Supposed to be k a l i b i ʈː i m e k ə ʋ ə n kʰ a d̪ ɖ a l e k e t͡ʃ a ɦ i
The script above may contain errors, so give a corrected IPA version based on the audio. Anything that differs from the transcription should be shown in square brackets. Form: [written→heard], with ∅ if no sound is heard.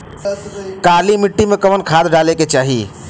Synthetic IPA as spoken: k a l i [b→m] i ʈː i m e k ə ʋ ə n kʰ a d̪ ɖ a l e k e t͡ʃ a ɦ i